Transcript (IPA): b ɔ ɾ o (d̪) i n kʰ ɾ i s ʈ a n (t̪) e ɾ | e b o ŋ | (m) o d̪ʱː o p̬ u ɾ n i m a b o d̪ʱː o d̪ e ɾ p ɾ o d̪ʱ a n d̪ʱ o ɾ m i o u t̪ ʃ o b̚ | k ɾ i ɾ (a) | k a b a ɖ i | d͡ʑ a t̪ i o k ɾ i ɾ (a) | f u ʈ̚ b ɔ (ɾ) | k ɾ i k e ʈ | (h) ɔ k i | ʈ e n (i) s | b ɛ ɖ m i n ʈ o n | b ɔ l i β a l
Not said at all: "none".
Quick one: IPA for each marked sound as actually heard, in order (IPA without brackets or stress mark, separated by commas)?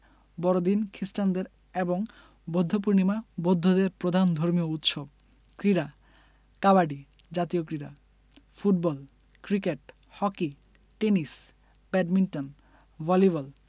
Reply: d̪, d̪, b, a, a, l, h, i